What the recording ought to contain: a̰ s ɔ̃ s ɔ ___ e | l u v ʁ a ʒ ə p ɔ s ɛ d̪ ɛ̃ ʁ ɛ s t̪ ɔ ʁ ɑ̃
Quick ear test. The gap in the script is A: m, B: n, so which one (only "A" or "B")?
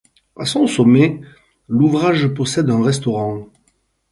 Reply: A